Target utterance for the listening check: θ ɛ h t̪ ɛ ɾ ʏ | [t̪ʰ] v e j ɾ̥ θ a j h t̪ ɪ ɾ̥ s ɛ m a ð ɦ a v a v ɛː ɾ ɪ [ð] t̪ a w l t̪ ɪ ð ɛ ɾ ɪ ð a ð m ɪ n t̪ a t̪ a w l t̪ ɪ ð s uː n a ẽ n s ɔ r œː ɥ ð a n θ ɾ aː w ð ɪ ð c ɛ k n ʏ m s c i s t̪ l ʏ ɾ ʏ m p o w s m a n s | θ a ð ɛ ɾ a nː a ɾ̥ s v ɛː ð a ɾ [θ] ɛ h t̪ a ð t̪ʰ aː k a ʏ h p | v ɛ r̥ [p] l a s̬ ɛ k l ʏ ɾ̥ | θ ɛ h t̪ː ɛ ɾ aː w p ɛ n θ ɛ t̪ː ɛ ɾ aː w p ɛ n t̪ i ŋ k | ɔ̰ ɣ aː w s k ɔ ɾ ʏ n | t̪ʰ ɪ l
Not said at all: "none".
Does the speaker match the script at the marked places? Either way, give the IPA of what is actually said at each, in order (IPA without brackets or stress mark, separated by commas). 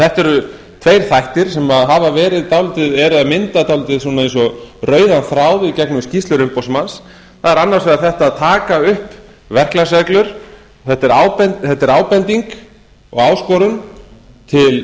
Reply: t̪ʰ, ð, θ, k